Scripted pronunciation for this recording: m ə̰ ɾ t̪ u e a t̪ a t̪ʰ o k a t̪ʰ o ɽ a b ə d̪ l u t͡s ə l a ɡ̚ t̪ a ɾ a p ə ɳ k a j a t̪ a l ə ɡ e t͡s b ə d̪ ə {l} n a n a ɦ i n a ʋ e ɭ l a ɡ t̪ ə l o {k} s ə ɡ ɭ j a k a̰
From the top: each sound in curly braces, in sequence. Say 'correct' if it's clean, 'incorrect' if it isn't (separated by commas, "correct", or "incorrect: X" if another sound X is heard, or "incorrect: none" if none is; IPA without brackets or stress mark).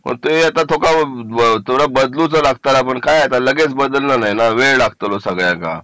correct, incorrect: none